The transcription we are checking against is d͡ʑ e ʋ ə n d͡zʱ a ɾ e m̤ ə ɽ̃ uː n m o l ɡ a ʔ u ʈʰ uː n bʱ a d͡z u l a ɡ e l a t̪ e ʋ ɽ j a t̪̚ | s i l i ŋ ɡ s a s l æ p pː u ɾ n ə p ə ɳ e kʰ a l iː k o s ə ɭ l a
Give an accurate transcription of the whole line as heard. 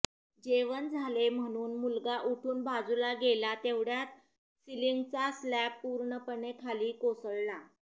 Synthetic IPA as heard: d͡ʑ e ʋ ə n d͡zʱ a l e m̤ ə ɽ̃ uː n m u l ɡ a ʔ u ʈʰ uː n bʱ a d͡z u l a ɡ e l a t̪ e ʋ ɽ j a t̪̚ | s i l i ŋ ɡ t͡s a s l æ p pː u ɾ ɳ ə p ə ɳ e kʰ a l iː k o s ə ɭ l a